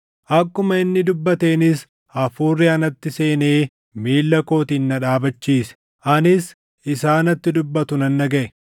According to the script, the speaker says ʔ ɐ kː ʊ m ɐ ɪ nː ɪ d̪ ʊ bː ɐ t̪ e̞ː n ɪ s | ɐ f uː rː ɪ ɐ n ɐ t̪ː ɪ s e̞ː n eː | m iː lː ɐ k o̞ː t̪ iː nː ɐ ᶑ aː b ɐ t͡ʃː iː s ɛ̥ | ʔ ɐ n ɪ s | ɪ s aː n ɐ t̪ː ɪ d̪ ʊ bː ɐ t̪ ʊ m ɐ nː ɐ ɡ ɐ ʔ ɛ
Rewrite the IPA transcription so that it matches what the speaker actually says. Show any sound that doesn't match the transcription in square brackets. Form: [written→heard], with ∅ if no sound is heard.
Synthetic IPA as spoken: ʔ ɐ kː ʊ m ɐ ɪ nː ɪ d̪ ʊ bː ɐ t̪ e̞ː n ɪ s | ɐ f uː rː ɪ ɐ n ɐ t̪ː ɪ s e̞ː n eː | m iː lː ɐ k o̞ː t̪ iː nː ɐ ᶑ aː b ɐ t͡ʃː iː s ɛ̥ | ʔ ɐ n ɪ s | ɪ s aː n ɐ t̪ː ɪ d̪ ʊ bː ɐ t̪ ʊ [m→n] ɐ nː ɐ ɡ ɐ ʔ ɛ

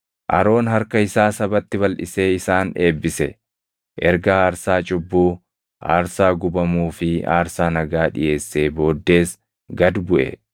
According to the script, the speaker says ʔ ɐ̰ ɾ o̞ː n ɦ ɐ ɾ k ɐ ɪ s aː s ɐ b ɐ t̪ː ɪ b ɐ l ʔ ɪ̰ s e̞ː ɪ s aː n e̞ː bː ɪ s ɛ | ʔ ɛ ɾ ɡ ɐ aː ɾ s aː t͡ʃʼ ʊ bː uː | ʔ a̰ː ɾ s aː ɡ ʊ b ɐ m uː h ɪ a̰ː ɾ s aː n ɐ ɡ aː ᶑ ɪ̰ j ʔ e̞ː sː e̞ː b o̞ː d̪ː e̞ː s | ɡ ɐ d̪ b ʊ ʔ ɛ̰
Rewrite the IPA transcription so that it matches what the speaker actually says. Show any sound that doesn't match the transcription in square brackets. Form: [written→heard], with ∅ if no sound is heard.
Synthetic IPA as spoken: ʔ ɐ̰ ɾ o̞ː n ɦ ɐ ɾ k ɐ ɪ s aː s ɐ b ɐ t̪ː ɪ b ɐ l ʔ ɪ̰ s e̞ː ɪ s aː n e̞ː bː ɪ s ɛ | ʔ ɛ ɾ ɡ ɐ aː ɾ s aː t͡ʃʼ ʊ bː uː | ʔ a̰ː ɾ s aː ɡ ʊ b ɐ m uː [h→f] ɪ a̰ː ɾ s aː n ɐ ɡ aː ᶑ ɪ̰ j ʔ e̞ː sː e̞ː b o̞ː d̪ː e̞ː s | ɡ ɐ d̪ b ʊ ʔ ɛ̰

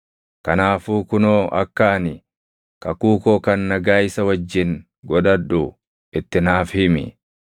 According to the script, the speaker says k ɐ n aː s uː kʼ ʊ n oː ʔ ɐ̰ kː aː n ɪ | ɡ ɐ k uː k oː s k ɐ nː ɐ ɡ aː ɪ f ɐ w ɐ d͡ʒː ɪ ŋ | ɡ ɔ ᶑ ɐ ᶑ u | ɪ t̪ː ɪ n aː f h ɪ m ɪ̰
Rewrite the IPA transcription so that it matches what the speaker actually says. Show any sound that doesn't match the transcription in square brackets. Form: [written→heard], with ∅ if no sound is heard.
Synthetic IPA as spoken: k ɐ n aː [s→f] uː [kʼ→k] ʊ n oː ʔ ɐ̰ kː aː n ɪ | [ɡ→k] ɐ k uː k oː [s→∅] k ɐ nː ɐ ɡ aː ɪ [f→s] ɐ w ɐ d͡ʒː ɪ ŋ | ɡ ɔ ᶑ ɐ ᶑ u | ɪ t̪ː ɪ n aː f h ɪ m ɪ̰

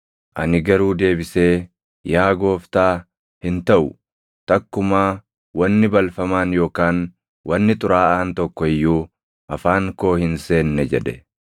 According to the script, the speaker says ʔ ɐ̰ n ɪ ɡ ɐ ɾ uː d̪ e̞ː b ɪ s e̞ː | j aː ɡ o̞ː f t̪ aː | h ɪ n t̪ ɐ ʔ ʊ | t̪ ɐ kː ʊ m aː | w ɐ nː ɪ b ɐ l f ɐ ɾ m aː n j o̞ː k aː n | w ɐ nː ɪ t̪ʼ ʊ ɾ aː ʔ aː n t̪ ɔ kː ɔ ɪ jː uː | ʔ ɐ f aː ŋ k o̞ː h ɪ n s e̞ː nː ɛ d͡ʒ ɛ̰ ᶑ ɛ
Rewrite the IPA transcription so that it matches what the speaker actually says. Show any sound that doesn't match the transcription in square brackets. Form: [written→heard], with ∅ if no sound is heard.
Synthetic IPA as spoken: ʔ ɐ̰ n ɪ ɡ ɐ ɾ uː d̪ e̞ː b ɪ s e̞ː | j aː ɡ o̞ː f t̪ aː | h ɪ n t̪ ɐ ʔ ʊ | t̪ ɐ kː ʊ m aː | w ɐ nː ɪ b ɐ l f ɐ [ɾ→∅] m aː n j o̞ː k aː n | w ɐ nː ɪ t̪ʼ ʊ ɾ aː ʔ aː n t̪ ɔ kː ɔ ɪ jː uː | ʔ ɐ f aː ŋ k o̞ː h ɪ n s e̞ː nː ɛ d͡ʒ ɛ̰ ᶑ ɛ

